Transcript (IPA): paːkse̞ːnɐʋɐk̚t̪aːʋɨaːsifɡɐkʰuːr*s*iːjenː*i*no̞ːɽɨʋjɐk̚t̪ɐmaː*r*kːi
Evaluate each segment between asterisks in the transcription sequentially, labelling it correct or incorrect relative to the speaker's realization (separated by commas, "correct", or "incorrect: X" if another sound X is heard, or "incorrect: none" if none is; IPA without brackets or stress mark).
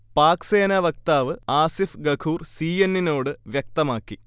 correct, correct, incorrect: none